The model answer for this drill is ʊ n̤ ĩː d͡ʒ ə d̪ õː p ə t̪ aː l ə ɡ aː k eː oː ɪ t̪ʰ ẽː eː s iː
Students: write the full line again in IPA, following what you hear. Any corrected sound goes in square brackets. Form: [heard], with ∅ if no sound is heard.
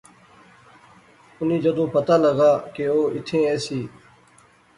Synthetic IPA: ʊ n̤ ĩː d͡ʒ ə d̪ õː p ə t̪ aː l ə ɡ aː k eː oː ɪ t̪ʰ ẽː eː s iː